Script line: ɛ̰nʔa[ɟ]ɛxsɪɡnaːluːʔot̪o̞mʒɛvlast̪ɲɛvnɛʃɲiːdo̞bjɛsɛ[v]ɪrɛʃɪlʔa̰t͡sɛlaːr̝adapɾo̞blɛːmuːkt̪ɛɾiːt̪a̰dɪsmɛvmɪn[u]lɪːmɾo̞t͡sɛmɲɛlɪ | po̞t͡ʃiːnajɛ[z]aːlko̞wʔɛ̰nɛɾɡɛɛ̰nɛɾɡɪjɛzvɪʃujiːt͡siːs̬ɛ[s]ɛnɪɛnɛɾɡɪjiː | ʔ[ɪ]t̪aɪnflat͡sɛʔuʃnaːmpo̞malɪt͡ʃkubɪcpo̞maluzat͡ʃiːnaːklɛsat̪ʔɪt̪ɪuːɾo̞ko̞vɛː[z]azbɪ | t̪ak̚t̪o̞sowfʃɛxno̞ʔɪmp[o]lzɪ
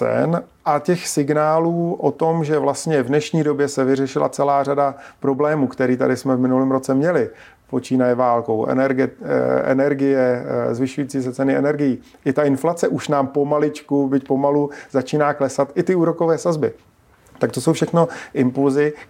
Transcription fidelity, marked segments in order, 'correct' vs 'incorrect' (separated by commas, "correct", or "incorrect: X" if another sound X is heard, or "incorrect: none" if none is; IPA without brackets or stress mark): incorrect: c, correct, correct, incorrect: v, incorrect: t͡s, correct, incorrect: s, incorrect: u